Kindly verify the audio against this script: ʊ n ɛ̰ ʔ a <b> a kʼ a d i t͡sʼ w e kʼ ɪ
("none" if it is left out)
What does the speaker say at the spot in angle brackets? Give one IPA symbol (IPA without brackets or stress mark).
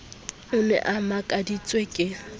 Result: m